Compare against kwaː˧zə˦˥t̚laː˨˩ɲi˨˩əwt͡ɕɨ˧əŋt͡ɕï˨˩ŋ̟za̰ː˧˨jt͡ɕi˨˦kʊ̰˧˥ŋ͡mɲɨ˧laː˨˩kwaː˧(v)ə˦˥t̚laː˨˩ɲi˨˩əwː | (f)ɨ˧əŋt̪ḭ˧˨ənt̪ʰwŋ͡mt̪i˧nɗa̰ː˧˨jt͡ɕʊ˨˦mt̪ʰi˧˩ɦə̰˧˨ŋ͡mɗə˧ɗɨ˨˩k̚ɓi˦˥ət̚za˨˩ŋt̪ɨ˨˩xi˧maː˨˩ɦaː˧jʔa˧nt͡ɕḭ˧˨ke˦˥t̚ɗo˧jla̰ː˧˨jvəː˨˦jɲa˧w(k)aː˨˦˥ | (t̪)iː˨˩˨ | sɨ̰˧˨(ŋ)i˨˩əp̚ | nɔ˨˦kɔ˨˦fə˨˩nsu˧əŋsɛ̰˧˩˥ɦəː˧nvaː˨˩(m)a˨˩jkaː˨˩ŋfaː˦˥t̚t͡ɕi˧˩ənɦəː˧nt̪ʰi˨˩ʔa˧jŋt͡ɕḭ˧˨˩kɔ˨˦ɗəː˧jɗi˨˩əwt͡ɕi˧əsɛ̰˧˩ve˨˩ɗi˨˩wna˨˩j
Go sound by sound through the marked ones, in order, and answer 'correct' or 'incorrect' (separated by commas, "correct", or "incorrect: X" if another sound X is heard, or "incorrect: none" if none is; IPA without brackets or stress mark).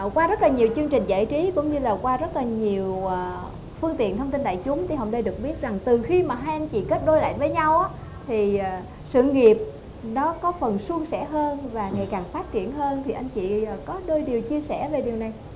incorrect: z, correct, incorrect: ʔ, incorrect: t̪ʰ, correct, incorrect: ŋ